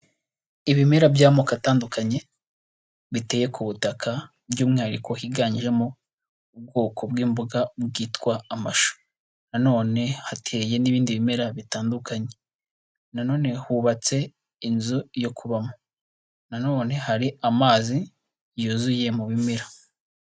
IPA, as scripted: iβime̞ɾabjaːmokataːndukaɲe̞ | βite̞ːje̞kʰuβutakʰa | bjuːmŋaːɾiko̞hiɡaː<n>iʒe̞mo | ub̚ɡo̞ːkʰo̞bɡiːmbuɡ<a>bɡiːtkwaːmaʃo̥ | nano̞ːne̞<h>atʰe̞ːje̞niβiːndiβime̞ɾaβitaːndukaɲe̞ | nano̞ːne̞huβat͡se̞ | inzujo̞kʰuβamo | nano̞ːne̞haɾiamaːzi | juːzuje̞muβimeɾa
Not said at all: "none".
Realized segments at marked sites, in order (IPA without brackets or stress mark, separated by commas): ɲ, a, h